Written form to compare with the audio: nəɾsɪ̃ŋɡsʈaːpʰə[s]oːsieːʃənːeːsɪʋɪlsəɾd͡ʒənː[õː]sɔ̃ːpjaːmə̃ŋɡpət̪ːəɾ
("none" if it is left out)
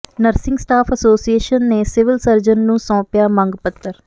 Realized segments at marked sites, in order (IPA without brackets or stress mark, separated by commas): s, ũː